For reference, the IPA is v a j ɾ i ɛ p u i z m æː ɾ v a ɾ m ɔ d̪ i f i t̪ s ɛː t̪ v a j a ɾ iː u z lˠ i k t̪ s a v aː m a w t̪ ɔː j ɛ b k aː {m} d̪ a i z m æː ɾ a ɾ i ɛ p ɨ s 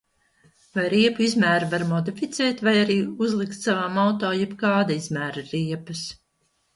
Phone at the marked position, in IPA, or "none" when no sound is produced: none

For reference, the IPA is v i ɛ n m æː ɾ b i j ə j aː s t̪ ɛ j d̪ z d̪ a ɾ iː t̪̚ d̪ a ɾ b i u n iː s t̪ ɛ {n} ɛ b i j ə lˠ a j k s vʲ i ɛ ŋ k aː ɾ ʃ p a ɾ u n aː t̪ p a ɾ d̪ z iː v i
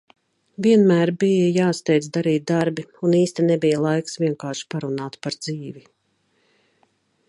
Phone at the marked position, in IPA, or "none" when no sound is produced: n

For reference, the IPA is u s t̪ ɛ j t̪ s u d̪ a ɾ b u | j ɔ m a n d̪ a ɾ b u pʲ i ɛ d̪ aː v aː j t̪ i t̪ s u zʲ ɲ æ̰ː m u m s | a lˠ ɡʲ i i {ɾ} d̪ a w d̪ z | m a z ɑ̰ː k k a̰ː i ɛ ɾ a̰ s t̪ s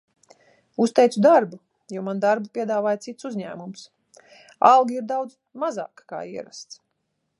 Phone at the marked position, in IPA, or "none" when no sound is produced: ɾ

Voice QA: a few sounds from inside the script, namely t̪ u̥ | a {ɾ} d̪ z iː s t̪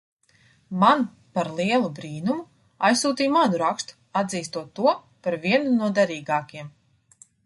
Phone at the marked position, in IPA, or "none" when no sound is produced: none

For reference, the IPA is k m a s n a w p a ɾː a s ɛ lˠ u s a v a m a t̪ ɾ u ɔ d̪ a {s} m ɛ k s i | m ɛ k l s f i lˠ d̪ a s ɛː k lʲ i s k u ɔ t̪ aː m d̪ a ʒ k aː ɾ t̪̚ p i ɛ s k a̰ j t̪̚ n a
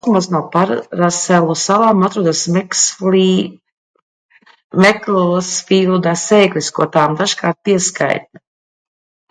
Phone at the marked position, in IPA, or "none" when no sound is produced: s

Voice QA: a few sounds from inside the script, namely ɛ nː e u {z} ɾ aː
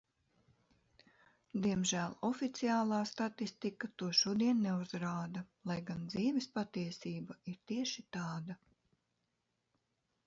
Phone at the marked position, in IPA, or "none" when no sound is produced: z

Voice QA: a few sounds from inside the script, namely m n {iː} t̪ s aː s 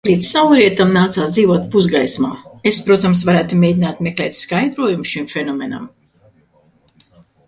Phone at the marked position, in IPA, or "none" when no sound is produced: aː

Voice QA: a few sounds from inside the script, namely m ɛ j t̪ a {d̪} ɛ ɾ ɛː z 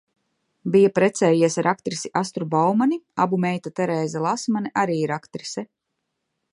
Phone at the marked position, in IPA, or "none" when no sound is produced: t̪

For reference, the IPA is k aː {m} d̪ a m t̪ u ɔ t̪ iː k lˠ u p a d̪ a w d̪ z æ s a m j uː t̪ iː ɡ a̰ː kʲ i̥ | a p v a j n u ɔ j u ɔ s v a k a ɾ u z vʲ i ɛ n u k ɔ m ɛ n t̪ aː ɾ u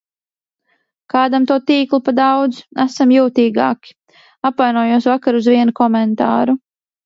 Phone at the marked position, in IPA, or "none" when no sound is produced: none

